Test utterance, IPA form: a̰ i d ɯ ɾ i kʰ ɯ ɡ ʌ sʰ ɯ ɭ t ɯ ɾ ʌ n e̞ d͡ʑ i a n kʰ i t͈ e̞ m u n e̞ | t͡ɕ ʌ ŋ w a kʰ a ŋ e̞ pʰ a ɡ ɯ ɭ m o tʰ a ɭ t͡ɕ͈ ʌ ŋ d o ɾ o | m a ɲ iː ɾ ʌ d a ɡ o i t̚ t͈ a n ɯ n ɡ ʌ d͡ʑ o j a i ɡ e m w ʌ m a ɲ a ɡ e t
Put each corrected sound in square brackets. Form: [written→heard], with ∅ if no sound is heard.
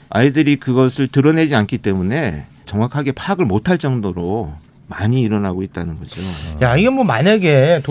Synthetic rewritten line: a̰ i d ɯ ɾ i [kʰ→k] ɯ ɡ ʌ sʰ ɯ ɭ t ɯ ɾ ʌ n e̞ d͡ʑ i a n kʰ i t͈ e̞ m u n e̞ | t͡ɕ ʌ ŋ w a kʰ a [ŋ→ɡ] e̞ pʰ a ɡ ɯ ɭ m o tʰ a ɭ t͡ɕ͈ ʌ ŋ d o ɾ o | m a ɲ iː ɾ ʌ [d→n] a ɡ o i t̚ t͈ a n ɯ n ɡ ʌ d͡ʑ o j a i ɡ e m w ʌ m a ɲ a ɡ e t